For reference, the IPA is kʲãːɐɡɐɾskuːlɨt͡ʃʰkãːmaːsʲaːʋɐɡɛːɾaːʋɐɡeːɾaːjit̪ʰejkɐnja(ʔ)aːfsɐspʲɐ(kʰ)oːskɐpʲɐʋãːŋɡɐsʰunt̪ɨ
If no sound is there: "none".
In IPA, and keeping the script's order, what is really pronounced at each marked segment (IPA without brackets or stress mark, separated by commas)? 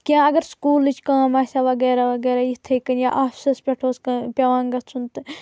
ʔ, ʈʰ